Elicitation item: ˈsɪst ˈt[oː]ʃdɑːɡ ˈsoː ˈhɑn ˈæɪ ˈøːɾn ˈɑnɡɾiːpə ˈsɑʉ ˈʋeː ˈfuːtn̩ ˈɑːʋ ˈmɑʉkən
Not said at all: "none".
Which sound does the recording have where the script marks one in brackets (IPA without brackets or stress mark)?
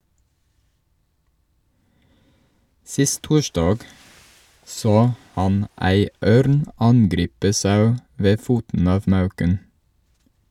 uː